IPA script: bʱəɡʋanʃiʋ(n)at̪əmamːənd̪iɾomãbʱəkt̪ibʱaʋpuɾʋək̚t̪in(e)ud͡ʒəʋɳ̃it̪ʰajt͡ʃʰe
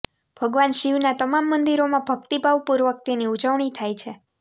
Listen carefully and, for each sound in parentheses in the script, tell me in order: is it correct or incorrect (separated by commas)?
correct, incorrect